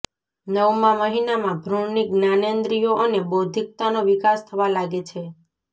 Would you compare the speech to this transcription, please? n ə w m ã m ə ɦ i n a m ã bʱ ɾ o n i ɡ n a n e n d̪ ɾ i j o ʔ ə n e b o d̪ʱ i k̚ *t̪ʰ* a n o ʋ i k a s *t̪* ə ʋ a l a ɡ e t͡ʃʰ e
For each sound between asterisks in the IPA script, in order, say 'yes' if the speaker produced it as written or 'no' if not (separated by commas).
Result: no, no